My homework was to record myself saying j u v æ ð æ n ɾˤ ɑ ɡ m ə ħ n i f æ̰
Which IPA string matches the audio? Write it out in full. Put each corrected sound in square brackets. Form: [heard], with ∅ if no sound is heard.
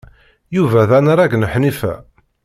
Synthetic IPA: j u v æ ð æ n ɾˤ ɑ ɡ [n] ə ħ n i f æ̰